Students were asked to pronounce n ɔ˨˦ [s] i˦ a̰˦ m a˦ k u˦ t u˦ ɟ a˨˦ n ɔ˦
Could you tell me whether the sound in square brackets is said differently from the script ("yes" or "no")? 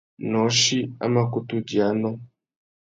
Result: yes